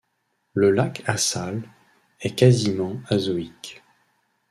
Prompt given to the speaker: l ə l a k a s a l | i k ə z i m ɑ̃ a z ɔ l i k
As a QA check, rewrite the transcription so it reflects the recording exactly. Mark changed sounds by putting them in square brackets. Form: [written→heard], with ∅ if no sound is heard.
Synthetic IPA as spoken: l ə l a k a s a l | [i→ɛ] k [ə→a] z i m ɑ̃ a z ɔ [l→∅] i k